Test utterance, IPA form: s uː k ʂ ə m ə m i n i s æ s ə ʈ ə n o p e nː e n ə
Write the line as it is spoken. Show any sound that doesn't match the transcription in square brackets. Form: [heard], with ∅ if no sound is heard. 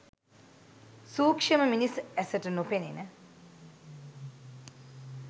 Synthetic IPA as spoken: s uː k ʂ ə m ə m i n i s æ s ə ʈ ə n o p e [n] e n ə